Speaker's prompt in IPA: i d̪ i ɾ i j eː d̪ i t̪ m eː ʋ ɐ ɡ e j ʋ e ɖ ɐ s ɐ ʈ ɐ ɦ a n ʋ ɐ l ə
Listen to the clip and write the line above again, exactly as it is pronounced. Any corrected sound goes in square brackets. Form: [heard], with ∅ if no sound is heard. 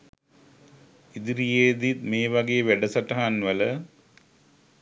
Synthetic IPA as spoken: i d̪ i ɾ i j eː d̪ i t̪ m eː ʋ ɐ ɡ e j ʋ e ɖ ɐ s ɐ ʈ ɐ ɦ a n ʋ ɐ l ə